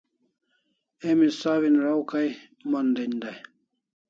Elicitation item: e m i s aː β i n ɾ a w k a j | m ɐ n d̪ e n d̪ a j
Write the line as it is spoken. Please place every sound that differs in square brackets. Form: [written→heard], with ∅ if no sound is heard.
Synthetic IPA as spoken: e m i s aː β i n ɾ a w k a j | m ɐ n d̪ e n d̪ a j